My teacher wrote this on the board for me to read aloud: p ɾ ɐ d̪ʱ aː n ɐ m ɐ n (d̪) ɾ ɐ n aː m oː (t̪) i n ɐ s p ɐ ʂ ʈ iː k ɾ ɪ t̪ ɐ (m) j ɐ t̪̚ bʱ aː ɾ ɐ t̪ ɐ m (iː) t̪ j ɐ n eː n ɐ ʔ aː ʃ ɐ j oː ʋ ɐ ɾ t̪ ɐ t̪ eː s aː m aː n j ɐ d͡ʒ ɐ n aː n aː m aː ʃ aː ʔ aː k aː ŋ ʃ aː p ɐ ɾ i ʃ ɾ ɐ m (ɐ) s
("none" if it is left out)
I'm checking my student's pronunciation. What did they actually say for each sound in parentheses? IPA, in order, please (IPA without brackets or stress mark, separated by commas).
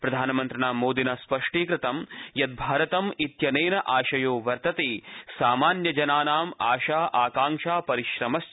t̪, d̪, m, i, ɐ